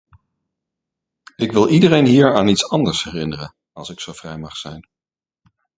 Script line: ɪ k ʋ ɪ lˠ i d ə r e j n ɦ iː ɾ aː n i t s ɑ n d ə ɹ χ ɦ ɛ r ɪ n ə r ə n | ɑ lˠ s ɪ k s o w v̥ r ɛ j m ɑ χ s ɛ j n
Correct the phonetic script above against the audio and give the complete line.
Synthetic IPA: ɪ k ʋ ɪ lˠ i d ə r e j n ɦ iː ɹ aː n i t s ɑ n d ə ɹ s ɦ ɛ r ɪ n ə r ə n | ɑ lˠ s ɪ k s o w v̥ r ɛ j m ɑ χ s ɛ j n